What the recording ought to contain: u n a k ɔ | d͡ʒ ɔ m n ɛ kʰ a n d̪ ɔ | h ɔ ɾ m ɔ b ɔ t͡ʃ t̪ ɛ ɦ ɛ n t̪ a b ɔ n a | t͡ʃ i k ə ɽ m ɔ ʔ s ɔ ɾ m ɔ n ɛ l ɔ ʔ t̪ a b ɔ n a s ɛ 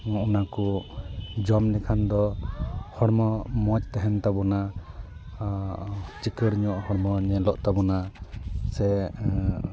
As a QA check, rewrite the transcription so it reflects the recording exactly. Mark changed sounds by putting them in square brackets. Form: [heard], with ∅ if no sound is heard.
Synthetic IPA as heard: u n a k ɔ | d͡ʒ ɔ m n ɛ kʰ a n d̪ ɔ | h ɔ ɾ m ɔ [m] ɔ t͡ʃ t̪ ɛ ɦ ɛ n t̪ a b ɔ n a | t͡ʃ i k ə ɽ [ɲ] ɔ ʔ [h] ɔ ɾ m ɔ [ɲ] ɛ l ɔ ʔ t̪ a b ɔ n a s ɛ